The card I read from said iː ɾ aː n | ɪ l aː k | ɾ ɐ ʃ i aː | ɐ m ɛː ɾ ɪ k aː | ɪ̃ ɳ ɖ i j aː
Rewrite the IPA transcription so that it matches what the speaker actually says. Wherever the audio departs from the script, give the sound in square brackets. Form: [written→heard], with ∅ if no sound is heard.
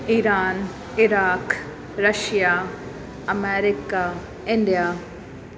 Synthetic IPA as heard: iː ɾ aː n | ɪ [l→ɾ] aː k | ɾ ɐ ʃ [i→j] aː | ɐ m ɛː ɾ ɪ k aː | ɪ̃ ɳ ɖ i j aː

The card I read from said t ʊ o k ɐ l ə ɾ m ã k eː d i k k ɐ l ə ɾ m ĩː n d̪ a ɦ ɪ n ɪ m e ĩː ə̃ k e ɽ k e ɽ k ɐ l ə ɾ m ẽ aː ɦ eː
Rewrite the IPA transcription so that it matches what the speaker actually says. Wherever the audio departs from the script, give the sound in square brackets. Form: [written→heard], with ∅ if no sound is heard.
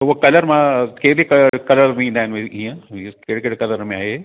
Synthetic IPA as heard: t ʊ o k ɐ l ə ɾ m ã k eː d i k k ɐ l ə ɾ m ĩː n d̪ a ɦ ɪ n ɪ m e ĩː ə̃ k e ɽ k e ɽ k ɐ l ə ɾ m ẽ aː ɦ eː

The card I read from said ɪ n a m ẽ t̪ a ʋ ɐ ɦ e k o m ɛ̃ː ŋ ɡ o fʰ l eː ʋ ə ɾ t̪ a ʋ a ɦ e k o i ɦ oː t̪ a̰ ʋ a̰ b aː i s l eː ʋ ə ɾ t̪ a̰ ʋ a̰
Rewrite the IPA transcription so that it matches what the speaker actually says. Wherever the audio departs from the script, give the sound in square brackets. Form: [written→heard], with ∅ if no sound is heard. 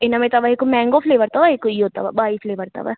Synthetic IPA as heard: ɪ n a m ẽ t̪ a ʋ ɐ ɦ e k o m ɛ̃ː ŋ ɡ o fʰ l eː ʋ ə ɾ t̪ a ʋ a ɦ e k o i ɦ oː t̪ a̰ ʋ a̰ b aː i [s→f] l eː ʋ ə ɾ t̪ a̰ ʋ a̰

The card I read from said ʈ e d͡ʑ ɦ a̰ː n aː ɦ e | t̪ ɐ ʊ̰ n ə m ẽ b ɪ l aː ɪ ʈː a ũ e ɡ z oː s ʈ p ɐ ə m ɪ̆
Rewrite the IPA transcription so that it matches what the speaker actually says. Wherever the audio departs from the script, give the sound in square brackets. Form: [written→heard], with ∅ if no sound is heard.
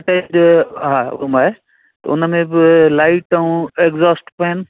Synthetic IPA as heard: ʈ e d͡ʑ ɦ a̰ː [n→m] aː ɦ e | t̪ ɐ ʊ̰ n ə m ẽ b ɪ l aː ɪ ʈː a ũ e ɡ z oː s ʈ p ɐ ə [m→n] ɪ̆

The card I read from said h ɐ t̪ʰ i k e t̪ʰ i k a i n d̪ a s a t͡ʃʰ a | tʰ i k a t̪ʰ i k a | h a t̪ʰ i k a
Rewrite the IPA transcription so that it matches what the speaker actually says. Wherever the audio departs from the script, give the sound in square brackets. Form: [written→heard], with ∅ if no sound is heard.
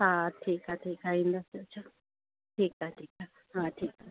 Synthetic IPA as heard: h [ɐ→a] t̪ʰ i k [e→a] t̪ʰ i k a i n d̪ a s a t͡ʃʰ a | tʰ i k a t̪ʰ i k a | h a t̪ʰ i k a

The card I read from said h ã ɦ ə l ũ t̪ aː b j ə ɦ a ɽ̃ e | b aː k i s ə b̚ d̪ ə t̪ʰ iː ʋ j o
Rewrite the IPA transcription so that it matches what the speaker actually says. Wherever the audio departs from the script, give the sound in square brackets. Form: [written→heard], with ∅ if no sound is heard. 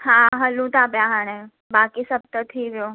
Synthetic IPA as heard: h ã ɦ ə l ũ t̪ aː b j [ə→a] ɦ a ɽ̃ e | b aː k i s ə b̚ [d̪→t̪] ə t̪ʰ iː ʋ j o

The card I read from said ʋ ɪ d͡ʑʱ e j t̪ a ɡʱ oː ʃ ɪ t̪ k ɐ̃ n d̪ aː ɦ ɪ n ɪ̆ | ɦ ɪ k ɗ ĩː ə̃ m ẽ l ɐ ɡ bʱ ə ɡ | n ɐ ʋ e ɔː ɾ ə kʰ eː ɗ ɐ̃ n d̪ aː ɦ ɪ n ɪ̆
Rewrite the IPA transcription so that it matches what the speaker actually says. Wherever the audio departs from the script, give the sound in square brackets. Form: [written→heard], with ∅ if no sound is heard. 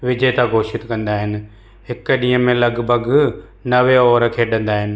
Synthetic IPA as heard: ʋ ɪ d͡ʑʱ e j t̪ a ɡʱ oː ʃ ɪ t̪ k ɐ̃ n d̪ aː ɦ ɪ n ɪ̆ | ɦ ɪ k ɗ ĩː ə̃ m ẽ l ɐ ɡ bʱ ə ɡ | n ɐ ʋ e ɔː ɾ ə kʰ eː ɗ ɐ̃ n d̪ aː ɦ ɪ n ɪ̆

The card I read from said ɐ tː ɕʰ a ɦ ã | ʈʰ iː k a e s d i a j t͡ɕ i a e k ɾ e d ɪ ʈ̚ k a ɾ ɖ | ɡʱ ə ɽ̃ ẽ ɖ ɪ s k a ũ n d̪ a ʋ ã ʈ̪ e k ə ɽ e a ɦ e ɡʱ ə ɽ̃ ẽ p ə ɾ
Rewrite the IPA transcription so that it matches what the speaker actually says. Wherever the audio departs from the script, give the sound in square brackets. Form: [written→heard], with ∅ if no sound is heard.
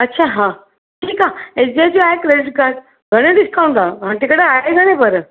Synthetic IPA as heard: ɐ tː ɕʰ a ɦ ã | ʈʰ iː k a e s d i a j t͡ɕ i a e k ɾ e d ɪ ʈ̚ k a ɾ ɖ | ɡʱ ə ɽ̃ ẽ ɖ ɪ s k a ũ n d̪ a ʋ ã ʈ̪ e k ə ɽ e a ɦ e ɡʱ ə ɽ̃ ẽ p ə ɾ

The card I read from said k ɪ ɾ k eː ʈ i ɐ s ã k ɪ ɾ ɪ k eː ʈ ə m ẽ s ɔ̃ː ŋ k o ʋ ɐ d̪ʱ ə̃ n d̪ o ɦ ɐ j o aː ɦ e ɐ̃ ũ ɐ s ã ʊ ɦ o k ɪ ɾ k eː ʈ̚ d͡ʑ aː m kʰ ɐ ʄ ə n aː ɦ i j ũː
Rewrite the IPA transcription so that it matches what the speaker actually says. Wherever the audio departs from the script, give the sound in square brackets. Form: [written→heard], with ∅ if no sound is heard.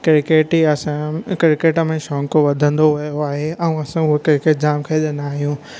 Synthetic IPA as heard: k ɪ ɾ k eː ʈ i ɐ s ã k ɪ ɾ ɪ k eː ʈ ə m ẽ [s→ʃ] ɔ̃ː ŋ k o ʋ ɐ d̪ʱ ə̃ n d̪ o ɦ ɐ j o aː ɦ e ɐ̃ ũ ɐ s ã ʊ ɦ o k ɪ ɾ k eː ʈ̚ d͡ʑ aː m kʰ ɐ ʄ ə n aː ɦ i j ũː

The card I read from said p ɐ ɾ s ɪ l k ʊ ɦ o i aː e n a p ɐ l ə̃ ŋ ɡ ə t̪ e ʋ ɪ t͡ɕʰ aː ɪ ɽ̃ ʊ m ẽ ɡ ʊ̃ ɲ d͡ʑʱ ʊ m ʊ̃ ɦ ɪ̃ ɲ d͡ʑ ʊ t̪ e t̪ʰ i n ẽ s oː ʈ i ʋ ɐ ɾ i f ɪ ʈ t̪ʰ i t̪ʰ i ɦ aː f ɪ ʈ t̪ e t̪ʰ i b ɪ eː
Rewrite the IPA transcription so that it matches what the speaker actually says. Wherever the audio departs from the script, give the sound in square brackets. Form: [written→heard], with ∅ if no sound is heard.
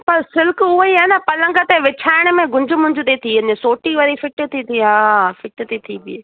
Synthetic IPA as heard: p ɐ ɾ s ɪ l k ʊ ɦ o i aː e n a p ɐ l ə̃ ŋ ɡ ə t̪ e ʋ ɪ t͡ɕʰ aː ɪ ɽ̃ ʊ m ẽ ɡ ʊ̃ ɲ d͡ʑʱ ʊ m ʊ̃ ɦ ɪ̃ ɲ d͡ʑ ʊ t̪ e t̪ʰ i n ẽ s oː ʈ i ʋ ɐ ɾ i f ɪ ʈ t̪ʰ i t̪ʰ i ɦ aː f ɪ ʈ t̪ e t̪ʰ i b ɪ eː

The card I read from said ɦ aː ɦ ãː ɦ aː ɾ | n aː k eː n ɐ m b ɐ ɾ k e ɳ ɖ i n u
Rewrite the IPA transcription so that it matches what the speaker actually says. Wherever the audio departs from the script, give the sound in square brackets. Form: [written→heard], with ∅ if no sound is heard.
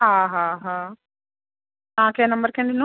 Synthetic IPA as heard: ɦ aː ɦ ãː ɦ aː [ɾ→∅] | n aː k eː n ɐ m b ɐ ɾ k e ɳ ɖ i n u

